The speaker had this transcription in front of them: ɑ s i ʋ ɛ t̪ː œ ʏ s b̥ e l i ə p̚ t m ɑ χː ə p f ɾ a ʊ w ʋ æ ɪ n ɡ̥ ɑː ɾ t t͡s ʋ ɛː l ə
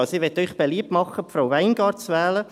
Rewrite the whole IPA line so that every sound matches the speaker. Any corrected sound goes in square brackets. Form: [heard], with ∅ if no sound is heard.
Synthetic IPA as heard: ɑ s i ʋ ɛ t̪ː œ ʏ [χ] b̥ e l i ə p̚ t m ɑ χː ə p f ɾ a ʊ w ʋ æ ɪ n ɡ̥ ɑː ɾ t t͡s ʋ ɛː l ə